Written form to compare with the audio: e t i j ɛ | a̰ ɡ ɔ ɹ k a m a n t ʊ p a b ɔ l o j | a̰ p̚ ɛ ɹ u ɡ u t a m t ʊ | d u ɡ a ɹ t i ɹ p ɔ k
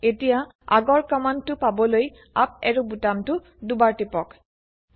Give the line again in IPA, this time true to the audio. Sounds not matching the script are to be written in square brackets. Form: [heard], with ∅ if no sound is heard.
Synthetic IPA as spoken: e t i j [a] | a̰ ɡ ɔ ɹ k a m a n t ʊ p a b ɔ l o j | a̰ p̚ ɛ ɹ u [b] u t a m t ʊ | d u [b] a ɹ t i [∅] p ɔ k